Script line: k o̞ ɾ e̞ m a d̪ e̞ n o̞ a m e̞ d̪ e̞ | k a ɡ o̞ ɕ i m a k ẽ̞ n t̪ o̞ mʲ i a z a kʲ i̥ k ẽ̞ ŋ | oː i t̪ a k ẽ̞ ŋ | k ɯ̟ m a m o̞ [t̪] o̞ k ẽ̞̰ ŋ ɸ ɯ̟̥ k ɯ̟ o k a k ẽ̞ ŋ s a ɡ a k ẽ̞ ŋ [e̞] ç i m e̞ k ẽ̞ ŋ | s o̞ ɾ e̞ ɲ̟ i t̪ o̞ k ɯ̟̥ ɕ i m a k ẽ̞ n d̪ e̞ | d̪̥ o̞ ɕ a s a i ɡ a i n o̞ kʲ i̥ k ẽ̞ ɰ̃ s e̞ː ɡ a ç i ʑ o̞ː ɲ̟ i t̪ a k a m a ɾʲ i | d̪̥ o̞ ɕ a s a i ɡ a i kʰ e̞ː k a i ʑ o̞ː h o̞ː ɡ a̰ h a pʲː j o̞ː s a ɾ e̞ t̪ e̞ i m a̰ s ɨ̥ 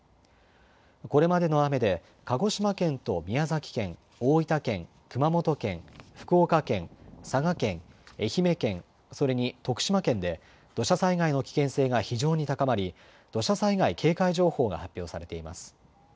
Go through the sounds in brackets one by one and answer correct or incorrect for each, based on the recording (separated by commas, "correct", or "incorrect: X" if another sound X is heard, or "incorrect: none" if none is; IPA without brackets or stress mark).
correct, correct